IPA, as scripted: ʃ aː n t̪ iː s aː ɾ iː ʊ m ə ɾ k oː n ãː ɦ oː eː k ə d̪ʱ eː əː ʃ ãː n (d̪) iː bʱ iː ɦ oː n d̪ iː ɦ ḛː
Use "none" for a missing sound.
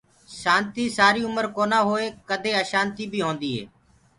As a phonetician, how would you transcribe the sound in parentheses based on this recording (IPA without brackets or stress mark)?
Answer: t̪